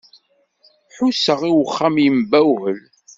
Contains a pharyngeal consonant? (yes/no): yes